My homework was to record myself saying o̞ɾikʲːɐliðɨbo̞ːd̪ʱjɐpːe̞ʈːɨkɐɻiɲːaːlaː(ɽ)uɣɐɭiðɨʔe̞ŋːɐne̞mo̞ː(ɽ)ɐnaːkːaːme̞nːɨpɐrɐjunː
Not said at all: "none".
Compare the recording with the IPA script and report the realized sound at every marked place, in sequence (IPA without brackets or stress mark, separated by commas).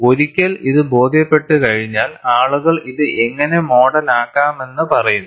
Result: ɭ, ɽ